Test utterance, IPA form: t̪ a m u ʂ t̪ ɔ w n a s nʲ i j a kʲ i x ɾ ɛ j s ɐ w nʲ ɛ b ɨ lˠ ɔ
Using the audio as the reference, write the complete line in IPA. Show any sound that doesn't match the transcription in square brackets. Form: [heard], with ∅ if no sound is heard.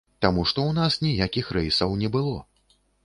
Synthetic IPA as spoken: t̪ a m u ʂ t̪ ɔ w n a s nʲ i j a kʲ i x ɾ ɛ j s ɐ w nʲ ɛ b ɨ lˠ ɔ